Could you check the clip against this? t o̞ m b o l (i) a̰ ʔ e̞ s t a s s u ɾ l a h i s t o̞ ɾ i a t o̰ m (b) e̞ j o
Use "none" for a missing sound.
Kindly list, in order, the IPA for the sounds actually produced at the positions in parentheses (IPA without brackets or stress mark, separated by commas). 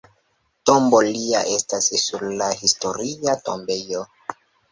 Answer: i, b